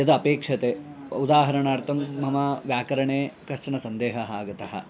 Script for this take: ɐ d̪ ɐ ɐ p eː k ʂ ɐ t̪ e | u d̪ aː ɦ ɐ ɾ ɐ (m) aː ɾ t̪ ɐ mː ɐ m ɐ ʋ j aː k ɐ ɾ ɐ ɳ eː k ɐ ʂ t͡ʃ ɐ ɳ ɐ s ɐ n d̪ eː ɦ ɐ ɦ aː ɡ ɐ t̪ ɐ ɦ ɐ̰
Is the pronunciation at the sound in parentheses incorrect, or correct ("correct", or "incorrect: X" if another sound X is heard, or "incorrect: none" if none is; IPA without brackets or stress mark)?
incorrect: ɳ